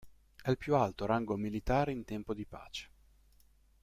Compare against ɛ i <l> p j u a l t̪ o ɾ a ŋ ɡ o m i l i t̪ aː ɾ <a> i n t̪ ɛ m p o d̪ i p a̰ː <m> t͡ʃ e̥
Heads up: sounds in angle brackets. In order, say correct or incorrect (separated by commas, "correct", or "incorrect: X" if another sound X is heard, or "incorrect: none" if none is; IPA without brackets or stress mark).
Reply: correct, incorrect: e, incorrect: none